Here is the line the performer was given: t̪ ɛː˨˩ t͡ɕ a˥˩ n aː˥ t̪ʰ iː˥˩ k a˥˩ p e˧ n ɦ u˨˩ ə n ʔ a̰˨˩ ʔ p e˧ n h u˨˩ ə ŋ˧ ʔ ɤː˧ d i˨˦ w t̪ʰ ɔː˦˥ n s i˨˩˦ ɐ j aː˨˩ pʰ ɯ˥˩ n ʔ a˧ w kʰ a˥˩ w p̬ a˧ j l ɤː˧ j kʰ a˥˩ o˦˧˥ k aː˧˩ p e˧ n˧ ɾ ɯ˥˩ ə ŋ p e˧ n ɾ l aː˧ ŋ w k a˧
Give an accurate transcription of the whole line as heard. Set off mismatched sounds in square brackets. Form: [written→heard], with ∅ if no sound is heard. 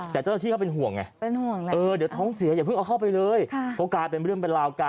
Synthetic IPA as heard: t̪ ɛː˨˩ t͡ɕ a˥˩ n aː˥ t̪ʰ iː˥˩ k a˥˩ p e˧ n ɦ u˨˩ ə [n→ŋ] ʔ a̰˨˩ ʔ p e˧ n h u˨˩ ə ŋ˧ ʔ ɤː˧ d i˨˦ w t̪ʰ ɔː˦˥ [n→ŋ] s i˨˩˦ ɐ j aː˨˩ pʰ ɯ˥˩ [n→ŋ] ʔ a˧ w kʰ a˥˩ w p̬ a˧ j l ɤː˧ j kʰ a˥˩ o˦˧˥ k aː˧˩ p e˧ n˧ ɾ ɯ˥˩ ə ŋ p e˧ n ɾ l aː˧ [ŋ→∅] w k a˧